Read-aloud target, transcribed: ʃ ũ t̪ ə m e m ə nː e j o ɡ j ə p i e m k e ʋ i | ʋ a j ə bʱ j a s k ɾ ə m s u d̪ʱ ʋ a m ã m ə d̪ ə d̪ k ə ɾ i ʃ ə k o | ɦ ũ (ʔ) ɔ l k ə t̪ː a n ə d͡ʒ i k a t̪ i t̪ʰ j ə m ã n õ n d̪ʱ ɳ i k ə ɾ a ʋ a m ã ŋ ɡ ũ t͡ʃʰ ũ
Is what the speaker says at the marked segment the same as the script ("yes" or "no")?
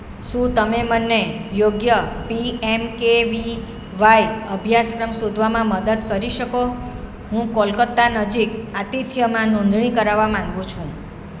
no